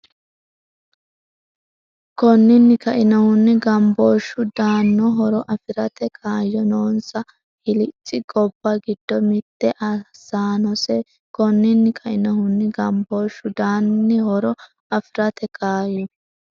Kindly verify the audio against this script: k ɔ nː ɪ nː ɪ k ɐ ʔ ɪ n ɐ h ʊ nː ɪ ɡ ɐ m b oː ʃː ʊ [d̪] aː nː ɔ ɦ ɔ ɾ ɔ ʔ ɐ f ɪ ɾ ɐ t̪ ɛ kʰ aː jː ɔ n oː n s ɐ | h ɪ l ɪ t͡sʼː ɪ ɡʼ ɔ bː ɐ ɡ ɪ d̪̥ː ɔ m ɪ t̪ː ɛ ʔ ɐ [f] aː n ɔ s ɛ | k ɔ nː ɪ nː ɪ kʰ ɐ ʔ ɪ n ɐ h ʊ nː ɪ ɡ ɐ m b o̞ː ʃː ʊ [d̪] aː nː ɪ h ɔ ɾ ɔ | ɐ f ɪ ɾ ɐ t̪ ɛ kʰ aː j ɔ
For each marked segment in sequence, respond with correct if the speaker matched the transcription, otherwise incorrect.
correct, incorrect: s, correct

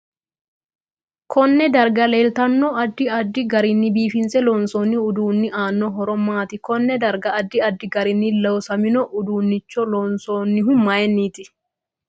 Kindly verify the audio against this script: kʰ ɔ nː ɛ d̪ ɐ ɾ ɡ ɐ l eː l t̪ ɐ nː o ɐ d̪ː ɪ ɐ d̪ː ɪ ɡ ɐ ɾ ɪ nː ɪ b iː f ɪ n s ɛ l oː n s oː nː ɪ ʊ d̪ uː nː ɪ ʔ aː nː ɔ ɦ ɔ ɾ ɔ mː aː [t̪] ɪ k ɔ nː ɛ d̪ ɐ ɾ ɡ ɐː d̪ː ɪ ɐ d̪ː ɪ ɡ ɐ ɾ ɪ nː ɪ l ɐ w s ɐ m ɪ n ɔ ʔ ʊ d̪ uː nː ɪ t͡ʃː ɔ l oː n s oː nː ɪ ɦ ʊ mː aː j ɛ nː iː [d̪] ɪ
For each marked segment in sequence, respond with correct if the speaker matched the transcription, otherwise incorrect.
correct, incorrect: t̪

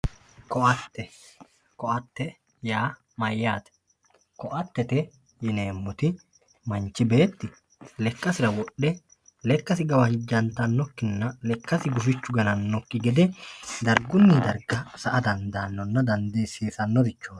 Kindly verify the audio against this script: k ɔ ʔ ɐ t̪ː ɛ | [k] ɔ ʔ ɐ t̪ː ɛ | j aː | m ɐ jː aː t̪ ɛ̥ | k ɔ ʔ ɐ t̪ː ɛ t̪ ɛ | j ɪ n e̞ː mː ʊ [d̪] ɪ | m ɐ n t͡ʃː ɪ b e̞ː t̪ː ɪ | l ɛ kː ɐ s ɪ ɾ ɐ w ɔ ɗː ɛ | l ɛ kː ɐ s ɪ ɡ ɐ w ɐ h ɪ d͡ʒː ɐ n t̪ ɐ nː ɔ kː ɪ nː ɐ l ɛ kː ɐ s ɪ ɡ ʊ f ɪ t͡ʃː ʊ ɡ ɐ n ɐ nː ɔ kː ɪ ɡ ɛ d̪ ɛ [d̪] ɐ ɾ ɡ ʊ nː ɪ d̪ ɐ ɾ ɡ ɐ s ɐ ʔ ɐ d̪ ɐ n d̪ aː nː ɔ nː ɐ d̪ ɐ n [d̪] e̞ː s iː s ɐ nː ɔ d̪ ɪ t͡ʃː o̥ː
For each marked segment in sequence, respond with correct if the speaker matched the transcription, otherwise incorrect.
correct, incorrect: t̪, correct, correct

